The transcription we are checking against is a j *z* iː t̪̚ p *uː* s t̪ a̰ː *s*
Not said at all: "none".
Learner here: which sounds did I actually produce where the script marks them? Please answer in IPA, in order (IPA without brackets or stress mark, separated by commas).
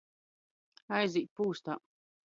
z, uː, none